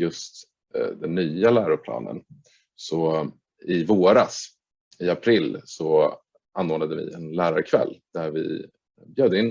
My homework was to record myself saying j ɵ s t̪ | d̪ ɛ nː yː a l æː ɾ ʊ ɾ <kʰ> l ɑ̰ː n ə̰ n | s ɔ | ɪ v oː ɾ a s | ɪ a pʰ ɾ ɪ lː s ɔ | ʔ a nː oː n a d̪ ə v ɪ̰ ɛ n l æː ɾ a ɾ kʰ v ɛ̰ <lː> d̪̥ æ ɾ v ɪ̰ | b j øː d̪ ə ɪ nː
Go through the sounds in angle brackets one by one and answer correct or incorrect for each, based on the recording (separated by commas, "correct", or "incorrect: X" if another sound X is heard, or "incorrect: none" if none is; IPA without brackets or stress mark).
incorrect: pʰ, correct